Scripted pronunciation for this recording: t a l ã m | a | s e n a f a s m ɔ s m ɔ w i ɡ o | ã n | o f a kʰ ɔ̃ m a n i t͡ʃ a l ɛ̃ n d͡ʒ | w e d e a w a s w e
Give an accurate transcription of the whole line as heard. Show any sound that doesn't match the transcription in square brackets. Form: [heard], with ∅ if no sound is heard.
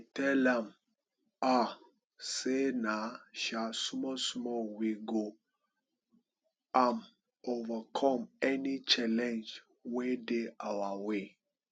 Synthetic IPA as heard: t [ɛ] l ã m | a | s e n a [ʃ] a s m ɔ s m ɔ w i ɡ o | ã n | o [v] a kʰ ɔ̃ m [ɛ] n i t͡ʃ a l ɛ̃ n d͡ʒ | w e d e a w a [∅] w e